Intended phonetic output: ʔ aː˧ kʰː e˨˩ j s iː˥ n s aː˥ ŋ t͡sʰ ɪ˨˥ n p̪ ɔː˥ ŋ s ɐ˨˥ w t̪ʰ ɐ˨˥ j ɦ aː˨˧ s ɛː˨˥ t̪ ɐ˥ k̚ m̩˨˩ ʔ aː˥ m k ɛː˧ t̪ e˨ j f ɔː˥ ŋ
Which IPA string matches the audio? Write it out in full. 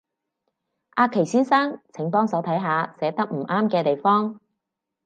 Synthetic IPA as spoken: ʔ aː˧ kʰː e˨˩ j s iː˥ n s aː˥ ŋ t͡sʰ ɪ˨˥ ŋ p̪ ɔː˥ ŋ s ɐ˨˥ w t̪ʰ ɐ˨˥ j ɦ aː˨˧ s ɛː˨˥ t̪ ɐ˥ k̚ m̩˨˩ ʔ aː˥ m k ɛː˧ t̪ e˨ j f ɔː˥ ŋ